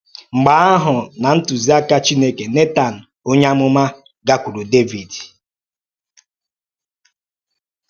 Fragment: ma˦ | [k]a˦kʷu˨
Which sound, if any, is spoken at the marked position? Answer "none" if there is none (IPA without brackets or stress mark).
ɡ